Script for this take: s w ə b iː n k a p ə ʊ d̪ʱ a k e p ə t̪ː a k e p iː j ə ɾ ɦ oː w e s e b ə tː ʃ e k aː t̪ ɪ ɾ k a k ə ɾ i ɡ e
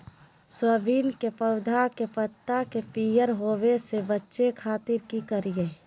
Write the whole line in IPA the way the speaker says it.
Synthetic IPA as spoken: s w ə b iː n k e p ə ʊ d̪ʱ a k e p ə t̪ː a k e p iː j ə ɾ ɦ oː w e s e b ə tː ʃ e kʰ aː t̪ ɪ ɾ k i k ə ɾ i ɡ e